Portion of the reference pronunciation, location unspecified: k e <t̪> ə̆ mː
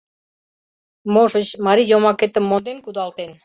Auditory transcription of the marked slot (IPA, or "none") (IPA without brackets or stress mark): t̪